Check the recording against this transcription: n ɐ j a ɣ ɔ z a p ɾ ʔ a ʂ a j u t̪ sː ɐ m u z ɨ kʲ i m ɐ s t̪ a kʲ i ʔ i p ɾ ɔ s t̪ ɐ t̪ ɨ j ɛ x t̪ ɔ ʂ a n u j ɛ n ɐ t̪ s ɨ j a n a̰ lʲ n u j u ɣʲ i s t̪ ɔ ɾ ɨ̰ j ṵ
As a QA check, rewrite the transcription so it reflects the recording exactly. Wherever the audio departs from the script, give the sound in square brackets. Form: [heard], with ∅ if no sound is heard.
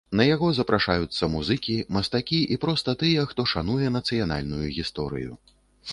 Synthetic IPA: n ɐ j a ɣ ɔ z [ɐ] p ɾ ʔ a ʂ a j u t̪ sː ɐ m u z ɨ kʲ i m ɐ s t̪ a kʲ i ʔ i p ɾ ɔ s t̪ ɐ t̪ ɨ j ɛ x t̪ ɔ ʂ a n u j ɛ n ɐ t̪ s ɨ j a n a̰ lʲ n u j u ɣʲ i s t̪ ɔ ɾ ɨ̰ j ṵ